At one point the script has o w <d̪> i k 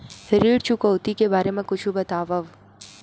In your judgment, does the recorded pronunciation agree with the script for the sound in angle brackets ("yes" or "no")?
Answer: no